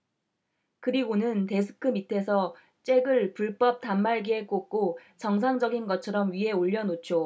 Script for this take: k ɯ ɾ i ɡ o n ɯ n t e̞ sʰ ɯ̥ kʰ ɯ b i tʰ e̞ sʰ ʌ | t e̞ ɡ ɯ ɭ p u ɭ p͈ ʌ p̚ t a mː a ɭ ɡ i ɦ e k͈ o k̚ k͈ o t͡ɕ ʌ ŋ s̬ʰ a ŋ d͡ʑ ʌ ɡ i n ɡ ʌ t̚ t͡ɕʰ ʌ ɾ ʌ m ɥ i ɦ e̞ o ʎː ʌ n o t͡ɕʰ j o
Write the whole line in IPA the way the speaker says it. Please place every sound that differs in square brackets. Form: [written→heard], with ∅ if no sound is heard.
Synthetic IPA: k ɯ ɾ i ɡ o n ɯ n t e̞ sʰ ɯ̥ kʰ ɯ [b→m] i tʰ e̞ sʰ ʌ | [t→t͡ɕ͈] e̞ ɡ ɯ ɭ p u ɭ p͈ ʌ p̚ t a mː a ɭ ɡ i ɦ e k͈ o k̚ k͈ o t͡ɕ ʌ ŋ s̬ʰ a ŋ d͡ʑ ʌ ɡ i n ɡ ʌ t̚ t͡ɕʰ ʌ ɾ ʌ m ɥ i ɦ e̞ o ʎː ʌ n o t͡ɕʰ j o